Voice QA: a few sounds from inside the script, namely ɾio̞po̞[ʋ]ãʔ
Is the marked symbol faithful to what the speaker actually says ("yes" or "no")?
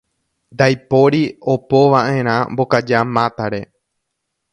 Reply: yes